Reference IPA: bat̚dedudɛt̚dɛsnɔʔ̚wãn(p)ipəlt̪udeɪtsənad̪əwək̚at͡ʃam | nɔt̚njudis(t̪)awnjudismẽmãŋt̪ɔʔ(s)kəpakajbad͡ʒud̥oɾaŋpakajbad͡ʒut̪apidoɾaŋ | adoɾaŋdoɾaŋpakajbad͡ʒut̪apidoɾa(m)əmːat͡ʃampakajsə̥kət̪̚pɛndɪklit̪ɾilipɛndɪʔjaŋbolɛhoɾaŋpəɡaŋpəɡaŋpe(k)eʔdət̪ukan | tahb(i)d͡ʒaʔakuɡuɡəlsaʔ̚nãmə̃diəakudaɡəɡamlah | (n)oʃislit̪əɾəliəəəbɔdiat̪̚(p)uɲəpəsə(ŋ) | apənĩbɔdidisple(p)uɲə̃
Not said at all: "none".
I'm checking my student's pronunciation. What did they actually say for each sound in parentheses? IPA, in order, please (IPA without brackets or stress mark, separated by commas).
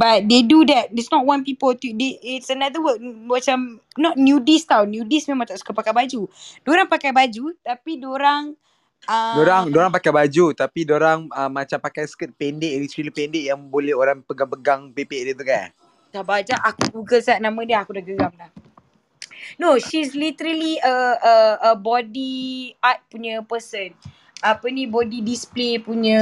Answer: p, t̪, s, ŋ, p, a, n, p, n, p